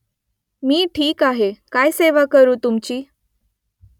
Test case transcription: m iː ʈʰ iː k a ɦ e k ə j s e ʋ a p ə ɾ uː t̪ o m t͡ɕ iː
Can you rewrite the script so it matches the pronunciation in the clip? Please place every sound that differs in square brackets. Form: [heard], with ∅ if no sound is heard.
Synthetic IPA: m iː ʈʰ iː k a ɦ e k [a] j s e ʋ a [k] ə ɾ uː t̪ [u] m t͡ɕ iː